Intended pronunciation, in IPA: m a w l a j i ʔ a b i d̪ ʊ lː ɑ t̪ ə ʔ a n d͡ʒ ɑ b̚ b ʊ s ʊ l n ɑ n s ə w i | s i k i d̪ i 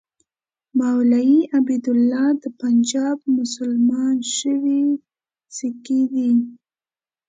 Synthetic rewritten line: m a w l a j i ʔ a b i d̪ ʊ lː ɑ d̪ ə p a n d͡ʒ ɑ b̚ m ʊ s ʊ l m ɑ n ʃ ə w i | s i k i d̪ i